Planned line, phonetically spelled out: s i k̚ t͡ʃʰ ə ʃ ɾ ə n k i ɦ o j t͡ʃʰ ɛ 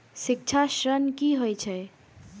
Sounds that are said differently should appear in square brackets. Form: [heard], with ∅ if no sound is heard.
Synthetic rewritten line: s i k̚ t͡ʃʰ [a] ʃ ɾ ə n k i ɦ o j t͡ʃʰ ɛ

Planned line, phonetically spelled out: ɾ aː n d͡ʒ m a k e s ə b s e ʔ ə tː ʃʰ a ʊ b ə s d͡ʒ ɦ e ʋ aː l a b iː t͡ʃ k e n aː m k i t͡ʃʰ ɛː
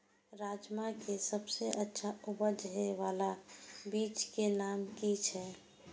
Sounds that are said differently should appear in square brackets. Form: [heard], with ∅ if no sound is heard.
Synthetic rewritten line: ɾ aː [∅] d͡ʒ m a k e s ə b s e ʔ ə tː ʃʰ a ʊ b ə [∅] d͡ʒ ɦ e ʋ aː l a b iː t͡ʃ k e n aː m k i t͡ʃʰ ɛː

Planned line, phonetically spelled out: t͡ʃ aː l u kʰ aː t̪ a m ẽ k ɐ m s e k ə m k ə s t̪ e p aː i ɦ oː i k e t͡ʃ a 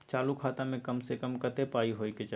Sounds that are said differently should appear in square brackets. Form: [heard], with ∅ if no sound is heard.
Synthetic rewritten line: t͡ʃ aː l u kʰ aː t̪ a m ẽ k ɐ m s e k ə m k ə [∅] t̪ e p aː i ɦ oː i k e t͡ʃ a

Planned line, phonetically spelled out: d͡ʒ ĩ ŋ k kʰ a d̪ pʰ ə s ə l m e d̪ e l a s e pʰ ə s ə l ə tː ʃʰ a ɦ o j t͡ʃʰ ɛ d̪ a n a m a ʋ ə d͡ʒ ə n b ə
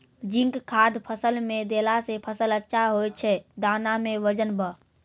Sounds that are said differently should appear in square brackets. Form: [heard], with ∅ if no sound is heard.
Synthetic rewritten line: d͡ʒ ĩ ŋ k kʰ a d̪ pʰ ə s ə l m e d̪ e l a s e pʰ ə s ə l ə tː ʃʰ a ɦ o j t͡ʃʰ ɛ d̪ a n a m [e] ʋ ə d͡ʒ ə n b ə

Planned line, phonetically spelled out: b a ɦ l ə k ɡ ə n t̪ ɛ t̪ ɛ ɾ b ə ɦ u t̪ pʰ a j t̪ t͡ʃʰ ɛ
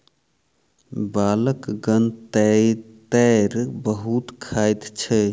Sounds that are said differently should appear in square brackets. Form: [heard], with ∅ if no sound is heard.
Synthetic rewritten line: b a [∅] l ə k ɡ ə n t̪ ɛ t̪ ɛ ɾ b ə ɦ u t̪ [kʰ] a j t̪ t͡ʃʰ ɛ

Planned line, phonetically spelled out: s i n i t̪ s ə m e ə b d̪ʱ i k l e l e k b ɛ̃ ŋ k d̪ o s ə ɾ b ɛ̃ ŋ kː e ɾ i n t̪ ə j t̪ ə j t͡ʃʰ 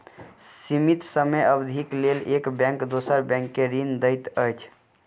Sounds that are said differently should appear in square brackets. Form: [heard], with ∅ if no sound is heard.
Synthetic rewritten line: s i [m] i t̪ s ə m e ə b d̪ʱ i k l e l e k b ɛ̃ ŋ k d̪ o s ə ɾ b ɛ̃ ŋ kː e ɾ i n [d̪] ə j t̪ ə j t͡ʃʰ

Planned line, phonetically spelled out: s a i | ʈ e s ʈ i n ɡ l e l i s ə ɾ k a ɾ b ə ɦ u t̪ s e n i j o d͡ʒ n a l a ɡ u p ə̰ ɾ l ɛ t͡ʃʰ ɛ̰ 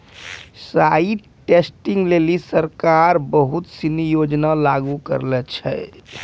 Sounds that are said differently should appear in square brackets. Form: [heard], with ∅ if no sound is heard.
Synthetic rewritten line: s a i | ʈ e s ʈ i [ŋ] ɡ l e l i s ə ɾ k a ɾ b ə ɦ u t̪ s [i] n i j o d͡ʒ n a l a ɡ u [k] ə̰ ɾ l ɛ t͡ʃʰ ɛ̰

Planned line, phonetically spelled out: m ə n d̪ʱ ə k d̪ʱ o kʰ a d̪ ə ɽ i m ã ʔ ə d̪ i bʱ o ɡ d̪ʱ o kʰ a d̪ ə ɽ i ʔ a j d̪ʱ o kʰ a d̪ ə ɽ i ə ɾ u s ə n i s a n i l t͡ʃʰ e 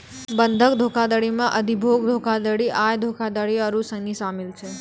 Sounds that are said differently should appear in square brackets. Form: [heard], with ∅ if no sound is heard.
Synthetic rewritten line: [b] ə n d̪ʱ ə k d̪ʱ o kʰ a d̪ ə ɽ i m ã ʔ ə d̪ i bʱ o ɡ d̪ʱ o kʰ a d̪ ə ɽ i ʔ a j d̪ʱ o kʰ a d̪ ə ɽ i ə ɾ u s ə n i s a [m] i l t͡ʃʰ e

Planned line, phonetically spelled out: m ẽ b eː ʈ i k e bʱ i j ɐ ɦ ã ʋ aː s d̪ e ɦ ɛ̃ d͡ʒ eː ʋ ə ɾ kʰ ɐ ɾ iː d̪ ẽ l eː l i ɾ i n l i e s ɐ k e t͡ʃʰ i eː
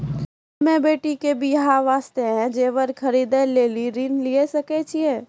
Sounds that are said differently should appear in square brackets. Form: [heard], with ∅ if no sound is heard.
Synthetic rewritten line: m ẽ b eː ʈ i k e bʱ i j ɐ ɦ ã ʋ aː s [t̪] e ɦ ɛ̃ d͡ʒ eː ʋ ə ɾ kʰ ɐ ɾ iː d̪ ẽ l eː l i ɾ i n l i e s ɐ k e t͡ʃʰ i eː

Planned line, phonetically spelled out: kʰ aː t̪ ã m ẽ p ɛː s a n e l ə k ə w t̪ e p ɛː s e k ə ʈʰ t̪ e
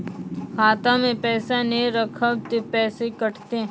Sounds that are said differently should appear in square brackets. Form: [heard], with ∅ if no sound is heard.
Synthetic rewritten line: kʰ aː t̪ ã m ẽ p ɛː s a n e [ɾ] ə [kʰ] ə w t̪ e p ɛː s e k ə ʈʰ t̪ e

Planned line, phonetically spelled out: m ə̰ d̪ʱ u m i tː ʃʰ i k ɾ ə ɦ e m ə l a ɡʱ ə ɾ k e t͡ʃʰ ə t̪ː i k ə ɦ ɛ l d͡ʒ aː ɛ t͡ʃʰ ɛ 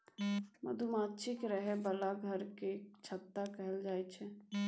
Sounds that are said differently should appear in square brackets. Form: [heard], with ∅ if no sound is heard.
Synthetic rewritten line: m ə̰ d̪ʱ u m [a] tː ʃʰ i k ɾ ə ɦ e [b] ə l a ɡʱ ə ɾ k e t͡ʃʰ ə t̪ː [a] k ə ɦ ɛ l d͡ʒ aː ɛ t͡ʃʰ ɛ

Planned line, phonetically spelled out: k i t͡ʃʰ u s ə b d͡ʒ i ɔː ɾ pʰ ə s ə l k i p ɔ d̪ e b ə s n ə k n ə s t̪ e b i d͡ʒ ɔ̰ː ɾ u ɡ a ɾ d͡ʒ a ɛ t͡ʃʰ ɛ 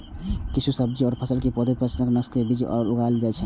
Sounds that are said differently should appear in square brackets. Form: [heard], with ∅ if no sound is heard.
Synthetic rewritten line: k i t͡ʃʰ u s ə b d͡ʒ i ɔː ɾ pʰ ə s ə l k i p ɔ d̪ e [p] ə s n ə k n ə s t̪ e b i d͡ʒ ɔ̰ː ɾ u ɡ a [l] d͡ʒ a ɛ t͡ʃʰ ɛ

